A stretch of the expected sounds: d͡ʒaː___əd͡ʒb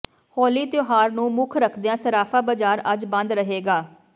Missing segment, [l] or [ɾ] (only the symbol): ɾ